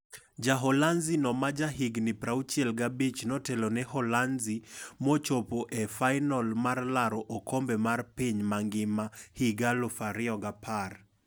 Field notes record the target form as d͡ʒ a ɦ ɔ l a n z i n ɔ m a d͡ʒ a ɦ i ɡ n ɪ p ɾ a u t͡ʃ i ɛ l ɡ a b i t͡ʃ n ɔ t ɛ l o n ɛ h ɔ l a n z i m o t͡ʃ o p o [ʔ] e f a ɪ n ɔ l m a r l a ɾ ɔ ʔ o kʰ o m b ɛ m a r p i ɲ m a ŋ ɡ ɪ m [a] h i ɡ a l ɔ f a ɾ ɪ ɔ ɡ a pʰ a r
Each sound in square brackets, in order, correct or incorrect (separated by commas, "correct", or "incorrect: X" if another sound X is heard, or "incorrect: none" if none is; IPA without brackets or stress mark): correct, correct